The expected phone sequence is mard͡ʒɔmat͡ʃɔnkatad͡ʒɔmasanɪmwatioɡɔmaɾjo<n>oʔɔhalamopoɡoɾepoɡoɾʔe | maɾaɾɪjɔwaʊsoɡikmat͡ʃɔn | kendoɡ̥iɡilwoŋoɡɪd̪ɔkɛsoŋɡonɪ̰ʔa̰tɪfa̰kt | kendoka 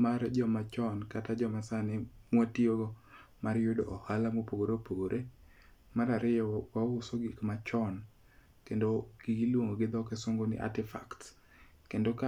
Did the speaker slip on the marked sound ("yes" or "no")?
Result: yes